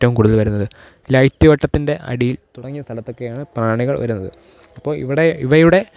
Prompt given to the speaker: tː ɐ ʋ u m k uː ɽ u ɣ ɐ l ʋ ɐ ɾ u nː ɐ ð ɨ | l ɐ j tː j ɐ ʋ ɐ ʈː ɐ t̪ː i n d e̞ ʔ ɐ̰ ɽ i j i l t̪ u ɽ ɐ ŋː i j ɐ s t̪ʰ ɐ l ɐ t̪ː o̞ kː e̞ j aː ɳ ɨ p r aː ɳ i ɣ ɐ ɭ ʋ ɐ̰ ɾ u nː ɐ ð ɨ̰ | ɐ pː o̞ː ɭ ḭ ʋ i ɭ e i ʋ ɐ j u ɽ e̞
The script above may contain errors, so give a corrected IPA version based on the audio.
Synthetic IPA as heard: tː ɐ ʋ u m k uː ɽ u ð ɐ l ʋ ɐ ɾ u nː ɐ ð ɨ | l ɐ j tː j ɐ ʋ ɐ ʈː ɐ t̪ː i n d e̞ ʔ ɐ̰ ɽ i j i l t̪ u ɽ ɐ ŋː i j ɐ s t̪ʰ ɐ l ɐ t̪ː o̞ kː e̞ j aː ɳ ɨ p r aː ɳ i ɣ ɐ ɭ ʋ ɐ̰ ɾ u nː ɐ ð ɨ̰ | ɐ pː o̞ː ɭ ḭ ʋ i ɽ e i ʋ ɐ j u ɽ e̞